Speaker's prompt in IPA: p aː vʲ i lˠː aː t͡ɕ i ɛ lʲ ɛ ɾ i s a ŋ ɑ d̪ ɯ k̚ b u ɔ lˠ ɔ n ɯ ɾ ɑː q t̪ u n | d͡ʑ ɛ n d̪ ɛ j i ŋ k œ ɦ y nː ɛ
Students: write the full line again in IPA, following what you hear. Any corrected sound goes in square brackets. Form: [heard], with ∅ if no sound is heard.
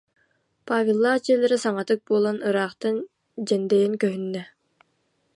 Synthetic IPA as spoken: p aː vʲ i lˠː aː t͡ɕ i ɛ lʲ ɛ ɾ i s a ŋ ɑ [t̪] ɯ k̚ b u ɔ lˠ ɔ n ɯ ɾ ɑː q t̪ [ɯ] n | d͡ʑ ɛ n d̪ ɛ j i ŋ k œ ɦ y nː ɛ